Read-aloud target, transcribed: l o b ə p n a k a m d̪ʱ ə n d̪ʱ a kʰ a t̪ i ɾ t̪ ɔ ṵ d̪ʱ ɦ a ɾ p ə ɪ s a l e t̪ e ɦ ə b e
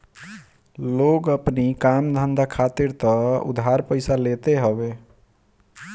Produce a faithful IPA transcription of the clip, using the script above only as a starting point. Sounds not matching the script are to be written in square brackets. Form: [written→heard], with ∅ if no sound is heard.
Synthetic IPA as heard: l o [b→ɡ] ə p n [a→i] k a m d̪ʱ ə n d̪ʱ a kʰ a t̪ i ɾ t̪ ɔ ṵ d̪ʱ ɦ a ɾ p ə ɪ s a l e t̪ e ɦ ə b e